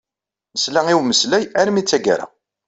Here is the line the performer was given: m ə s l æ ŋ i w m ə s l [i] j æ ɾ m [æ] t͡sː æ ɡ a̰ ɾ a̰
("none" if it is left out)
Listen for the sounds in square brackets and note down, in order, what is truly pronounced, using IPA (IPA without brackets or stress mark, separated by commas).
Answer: æ, i